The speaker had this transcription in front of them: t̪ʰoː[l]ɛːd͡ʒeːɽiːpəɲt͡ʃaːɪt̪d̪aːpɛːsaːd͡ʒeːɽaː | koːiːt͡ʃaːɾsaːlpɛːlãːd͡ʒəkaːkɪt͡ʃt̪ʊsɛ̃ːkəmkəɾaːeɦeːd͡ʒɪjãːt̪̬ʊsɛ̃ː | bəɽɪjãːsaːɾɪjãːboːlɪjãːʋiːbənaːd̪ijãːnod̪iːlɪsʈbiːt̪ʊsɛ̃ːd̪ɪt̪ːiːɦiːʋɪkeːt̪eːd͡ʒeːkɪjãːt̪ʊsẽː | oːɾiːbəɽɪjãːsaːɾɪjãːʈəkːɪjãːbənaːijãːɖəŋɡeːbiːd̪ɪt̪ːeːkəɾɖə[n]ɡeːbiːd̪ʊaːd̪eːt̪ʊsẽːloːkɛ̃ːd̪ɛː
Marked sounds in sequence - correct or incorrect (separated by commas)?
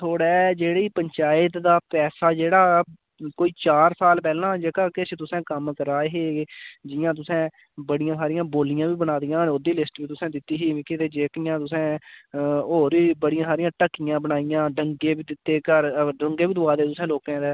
incorrect, incorrect